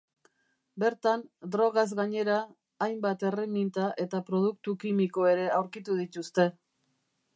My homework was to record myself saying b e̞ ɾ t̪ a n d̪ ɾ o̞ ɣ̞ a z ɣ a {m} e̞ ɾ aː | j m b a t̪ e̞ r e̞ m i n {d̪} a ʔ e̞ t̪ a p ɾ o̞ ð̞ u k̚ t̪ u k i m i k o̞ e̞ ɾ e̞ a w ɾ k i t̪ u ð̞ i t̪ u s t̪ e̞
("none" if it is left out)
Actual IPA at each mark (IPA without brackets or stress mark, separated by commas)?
ɲ, t̪